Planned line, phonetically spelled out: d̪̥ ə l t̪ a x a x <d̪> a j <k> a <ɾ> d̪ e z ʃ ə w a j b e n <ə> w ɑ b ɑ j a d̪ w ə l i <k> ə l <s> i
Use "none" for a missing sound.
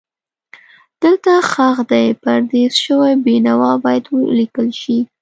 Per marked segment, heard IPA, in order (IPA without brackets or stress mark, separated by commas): d̪, p, ɾ, a, k, ʃ